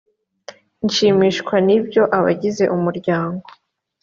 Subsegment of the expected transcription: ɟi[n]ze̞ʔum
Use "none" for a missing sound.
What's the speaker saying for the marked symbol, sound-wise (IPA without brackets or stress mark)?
none